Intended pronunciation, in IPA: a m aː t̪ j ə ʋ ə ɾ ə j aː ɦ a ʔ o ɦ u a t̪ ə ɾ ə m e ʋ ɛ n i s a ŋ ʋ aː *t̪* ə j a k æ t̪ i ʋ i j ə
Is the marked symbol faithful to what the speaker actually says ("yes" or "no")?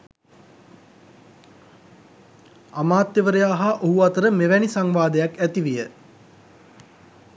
no